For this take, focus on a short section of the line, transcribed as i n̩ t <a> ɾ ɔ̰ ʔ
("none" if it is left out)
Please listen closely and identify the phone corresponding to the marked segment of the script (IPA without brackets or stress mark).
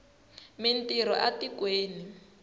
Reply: i